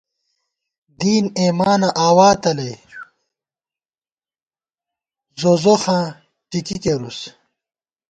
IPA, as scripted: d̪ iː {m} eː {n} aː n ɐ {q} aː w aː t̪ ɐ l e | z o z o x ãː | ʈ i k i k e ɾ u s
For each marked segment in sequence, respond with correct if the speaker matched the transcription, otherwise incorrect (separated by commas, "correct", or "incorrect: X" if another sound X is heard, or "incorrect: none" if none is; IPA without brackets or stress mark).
incorrect: n, incorrect: m, incorrect: ʔ